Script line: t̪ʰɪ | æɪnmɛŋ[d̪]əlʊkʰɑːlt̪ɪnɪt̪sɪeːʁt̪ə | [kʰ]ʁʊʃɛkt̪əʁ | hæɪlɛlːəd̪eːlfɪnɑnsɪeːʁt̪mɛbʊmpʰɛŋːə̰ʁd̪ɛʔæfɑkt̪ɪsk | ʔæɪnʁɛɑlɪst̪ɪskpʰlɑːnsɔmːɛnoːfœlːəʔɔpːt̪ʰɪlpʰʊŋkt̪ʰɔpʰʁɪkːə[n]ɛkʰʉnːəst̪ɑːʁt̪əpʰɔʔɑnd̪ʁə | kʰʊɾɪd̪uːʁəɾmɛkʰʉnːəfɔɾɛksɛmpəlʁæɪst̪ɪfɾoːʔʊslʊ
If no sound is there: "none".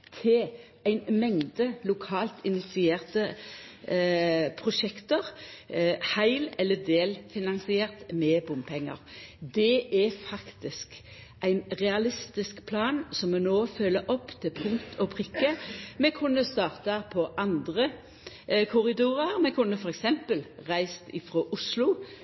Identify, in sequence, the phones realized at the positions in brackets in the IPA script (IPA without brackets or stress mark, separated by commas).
d̪, pʰ, m